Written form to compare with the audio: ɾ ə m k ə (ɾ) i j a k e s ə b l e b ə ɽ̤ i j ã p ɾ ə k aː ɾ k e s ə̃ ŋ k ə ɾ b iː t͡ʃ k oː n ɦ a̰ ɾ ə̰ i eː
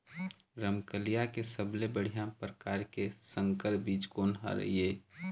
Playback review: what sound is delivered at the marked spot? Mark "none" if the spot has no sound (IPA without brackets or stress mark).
l